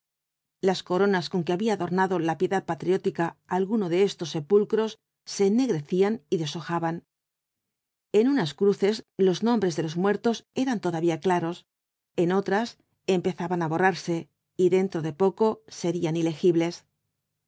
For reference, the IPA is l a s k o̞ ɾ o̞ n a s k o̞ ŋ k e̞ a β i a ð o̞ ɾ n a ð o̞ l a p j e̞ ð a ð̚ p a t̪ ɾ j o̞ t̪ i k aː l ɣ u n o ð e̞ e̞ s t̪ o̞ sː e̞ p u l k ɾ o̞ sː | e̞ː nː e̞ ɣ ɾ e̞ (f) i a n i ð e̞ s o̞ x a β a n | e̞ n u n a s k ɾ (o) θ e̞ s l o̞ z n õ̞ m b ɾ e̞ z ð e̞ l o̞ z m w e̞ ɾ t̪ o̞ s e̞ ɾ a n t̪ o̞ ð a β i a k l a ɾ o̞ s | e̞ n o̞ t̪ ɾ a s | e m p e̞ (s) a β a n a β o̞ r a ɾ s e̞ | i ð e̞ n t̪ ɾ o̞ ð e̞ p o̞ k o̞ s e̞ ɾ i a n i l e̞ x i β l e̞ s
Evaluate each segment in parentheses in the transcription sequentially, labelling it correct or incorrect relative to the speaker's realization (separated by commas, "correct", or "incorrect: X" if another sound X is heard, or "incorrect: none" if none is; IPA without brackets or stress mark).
incorrect: θ, incorrect: u, incorrect: θ